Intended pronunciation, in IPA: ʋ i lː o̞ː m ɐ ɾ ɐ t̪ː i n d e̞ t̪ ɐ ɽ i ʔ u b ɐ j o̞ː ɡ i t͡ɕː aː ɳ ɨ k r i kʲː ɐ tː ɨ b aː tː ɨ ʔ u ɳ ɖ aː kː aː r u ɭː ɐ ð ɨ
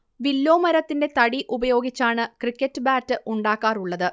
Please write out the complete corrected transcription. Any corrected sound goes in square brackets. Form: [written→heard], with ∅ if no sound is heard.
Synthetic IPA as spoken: ʋ i lː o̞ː m ɐ ɾ ɐ t̪ː i n d e̞ t̪ ɐ ɽ i ʔ u b ɐ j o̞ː ɡ i t͡ɕː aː ɳ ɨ k r i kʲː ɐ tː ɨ b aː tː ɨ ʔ u ɳ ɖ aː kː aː r u ɭː ɐ ð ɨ